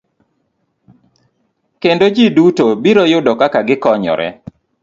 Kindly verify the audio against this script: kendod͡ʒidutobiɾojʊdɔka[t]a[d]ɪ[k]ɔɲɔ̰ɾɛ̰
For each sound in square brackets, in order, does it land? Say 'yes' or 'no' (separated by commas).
no, no, yes